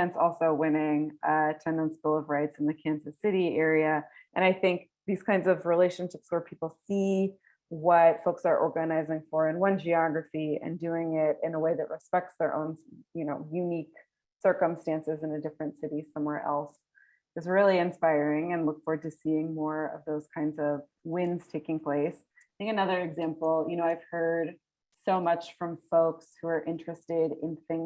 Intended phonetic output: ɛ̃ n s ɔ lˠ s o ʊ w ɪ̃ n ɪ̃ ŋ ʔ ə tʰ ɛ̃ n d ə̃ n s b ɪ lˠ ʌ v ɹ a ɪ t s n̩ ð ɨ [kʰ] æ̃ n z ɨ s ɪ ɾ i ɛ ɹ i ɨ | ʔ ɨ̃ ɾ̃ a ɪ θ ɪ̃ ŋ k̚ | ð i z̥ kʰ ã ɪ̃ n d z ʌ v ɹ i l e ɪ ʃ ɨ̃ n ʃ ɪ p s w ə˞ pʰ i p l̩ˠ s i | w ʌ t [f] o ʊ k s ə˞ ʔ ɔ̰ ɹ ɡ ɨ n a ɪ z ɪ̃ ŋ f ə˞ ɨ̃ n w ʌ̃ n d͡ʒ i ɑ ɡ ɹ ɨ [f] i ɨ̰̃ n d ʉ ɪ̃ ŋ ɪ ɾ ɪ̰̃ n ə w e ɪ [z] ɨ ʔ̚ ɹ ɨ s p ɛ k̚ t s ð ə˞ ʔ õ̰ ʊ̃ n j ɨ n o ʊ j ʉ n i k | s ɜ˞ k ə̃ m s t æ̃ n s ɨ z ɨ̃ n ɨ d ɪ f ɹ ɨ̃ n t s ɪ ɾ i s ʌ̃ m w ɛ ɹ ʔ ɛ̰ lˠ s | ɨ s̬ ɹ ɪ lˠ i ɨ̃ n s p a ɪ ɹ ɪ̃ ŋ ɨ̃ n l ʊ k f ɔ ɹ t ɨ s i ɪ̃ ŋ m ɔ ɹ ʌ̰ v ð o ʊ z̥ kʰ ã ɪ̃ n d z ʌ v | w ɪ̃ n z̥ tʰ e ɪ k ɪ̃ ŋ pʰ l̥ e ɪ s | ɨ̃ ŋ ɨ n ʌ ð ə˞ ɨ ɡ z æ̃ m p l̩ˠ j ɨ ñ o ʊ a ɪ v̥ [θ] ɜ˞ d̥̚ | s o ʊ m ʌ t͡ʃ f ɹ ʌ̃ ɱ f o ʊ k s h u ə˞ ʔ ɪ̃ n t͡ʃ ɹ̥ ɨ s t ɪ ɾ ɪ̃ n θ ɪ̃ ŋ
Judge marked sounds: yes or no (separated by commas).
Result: yes, yes, yes, no, no